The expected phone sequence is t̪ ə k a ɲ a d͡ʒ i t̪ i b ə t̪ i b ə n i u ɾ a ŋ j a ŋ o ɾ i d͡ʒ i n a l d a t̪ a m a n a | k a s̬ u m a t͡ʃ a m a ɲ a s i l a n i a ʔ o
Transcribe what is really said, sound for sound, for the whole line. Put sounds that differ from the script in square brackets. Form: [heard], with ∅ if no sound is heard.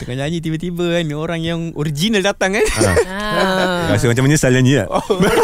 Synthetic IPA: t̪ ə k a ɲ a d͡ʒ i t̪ i b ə t̪ i b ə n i [o] ɾ a ŋ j a ŋ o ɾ i d͡ʒ i n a l d a t̪ a [ŋ] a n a | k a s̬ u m a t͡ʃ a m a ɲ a s [a] l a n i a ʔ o